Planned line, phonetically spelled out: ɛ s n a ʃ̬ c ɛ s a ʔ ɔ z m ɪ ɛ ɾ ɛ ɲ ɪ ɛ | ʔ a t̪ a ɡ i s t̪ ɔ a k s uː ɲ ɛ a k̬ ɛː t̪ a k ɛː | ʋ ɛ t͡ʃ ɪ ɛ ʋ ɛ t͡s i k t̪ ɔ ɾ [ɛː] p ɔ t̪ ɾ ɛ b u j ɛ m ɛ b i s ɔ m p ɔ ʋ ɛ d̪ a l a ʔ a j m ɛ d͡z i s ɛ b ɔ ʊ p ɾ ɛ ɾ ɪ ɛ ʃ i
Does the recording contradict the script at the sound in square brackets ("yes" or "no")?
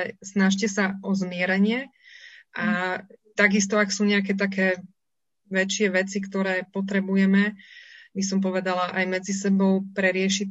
no